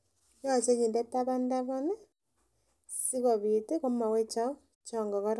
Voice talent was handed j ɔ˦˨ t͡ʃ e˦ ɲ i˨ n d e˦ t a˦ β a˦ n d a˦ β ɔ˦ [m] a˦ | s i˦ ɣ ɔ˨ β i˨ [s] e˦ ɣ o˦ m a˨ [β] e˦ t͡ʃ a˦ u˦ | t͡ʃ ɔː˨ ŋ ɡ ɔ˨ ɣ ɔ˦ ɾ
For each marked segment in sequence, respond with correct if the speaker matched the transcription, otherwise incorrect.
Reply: incorrect, incorrect, incorrect

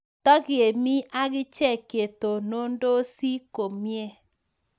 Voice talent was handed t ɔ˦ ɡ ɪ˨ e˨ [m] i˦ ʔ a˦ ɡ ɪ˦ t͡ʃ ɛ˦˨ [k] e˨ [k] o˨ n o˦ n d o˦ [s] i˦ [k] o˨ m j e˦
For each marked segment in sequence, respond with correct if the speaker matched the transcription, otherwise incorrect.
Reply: correct, correct, incorrect, correct, correct

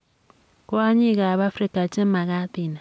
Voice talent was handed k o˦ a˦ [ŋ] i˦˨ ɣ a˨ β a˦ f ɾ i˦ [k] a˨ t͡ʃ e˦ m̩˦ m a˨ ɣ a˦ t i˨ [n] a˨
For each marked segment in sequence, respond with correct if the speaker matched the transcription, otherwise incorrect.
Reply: incorrect, correct, correct

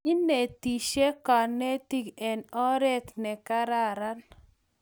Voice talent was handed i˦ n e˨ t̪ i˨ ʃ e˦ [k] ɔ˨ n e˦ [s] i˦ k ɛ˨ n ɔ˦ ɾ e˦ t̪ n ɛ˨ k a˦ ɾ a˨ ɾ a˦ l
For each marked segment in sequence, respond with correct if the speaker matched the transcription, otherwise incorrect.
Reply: correct, incorrect

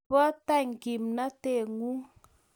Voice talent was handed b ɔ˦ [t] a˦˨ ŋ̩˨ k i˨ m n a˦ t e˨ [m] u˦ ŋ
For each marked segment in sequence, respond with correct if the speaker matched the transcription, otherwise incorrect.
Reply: correct, incorrect

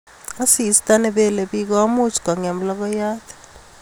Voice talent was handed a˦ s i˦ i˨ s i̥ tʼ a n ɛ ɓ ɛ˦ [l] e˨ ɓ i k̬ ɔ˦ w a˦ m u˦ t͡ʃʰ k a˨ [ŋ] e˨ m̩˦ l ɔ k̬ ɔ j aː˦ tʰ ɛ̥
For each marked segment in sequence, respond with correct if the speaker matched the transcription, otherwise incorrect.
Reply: correct, correct

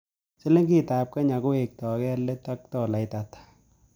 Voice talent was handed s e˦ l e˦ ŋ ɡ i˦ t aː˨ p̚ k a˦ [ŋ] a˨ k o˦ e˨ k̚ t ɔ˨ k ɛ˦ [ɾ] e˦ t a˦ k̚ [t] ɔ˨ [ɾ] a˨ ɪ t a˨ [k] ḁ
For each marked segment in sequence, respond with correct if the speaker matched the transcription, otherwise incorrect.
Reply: incorrect, incorrect, correct, incorrect, incorrect

